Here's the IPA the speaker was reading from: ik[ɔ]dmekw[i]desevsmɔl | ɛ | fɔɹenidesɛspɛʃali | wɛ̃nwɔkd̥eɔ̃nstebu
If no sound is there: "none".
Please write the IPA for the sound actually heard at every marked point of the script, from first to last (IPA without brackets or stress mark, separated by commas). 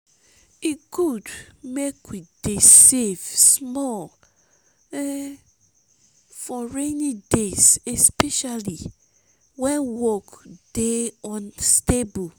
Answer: u, i